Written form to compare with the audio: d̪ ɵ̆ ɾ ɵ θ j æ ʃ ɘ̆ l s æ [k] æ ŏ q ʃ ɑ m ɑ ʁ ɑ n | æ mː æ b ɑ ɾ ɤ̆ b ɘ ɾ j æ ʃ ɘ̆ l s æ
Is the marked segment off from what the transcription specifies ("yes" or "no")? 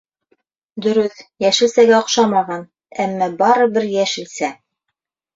yes